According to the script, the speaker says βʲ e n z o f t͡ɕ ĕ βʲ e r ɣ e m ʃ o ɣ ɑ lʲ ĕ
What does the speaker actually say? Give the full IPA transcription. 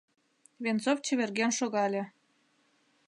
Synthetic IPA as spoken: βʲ e n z o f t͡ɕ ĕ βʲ e r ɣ e n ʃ o ɣ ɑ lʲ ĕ